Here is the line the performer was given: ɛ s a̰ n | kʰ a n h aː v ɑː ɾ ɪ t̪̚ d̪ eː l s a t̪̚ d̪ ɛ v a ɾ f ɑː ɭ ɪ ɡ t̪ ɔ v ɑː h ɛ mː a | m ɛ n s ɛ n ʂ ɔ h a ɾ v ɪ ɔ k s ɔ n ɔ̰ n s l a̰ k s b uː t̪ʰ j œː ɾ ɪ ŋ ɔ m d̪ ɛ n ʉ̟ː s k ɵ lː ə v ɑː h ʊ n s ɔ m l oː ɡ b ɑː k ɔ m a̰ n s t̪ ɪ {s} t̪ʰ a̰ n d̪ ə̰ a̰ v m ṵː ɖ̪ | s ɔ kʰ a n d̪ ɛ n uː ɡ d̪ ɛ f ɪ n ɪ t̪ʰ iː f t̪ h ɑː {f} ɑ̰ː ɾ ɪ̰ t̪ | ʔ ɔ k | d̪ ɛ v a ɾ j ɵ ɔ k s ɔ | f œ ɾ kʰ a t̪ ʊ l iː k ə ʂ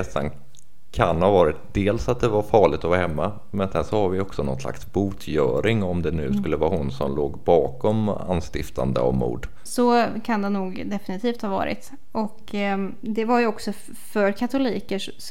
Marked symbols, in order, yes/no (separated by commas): no, no